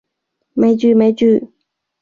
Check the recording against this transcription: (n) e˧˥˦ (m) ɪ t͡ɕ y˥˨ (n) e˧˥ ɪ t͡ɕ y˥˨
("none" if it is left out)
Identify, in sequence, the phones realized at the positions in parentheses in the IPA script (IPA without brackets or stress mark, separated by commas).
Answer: m, none, m